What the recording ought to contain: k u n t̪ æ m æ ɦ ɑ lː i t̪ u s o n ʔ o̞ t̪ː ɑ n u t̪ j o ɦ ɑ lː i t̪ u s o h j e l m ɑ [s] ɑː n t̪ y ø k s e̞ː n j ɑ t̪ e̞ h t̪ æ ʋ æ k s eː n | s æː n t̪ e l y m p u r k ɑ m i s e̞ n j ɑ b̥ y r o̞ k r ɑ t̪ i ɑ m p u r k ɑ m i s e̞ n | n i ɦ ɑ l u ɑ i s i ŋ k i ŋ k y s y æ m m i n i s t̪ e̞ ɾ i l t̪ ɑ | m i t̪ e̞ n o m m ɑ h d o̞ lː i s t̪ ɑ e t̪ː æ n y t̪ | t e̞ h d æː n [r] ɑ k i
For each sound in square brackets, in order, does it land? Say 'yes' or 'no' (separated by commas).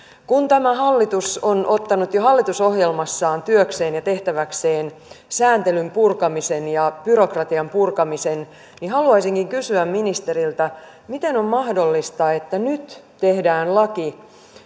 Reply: no, no